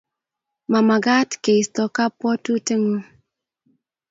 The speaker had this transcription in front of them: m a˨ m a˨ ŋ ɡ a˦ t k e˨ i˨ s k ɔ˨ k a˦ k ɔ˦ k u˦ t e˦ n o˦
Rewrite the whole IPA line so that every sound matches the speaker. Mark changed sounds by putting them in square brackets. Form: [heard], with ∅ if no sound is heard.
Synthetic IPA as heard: m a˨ m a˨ [∅] ɡ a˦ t k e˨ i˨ s [t] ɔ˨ k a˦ [p] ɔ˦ [t] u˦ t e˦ [ŋ] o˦